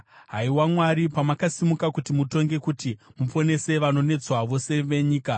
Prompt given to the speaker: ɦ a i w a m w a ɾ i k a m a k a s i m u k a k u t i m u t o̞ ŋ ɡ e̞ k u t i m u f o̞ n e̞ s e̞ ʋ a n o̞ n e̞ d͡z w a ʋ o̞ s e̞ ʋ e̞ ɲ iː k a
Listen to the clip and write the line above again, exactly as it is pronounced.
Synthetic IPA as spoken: ɦ a i w a m w a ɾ i p a m a k a s i m u k a k u t i m u t o̞ ŋ ɡ e̞ k u t i m u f o̞ n e̞ s e̞ ʋ a n o̞ n e̞ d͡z w a ʋ o̞ s e̞ ʋ e̞ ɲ iː k a